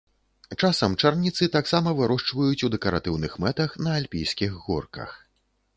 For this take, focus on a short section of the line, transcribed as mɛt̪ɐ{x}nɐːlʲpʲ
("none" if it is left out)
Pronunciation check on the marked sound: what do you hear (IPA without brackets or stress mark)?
x